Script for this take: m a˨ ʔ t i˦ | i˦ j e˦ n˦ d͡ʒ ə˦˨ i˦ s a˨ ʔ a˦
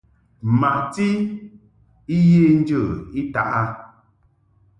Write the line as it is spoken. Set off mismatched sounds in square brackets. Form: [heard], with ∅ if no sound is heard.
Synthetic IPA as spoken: m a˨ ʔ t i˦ | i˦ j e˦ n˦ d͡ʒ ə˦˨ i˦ [t] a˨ ʔ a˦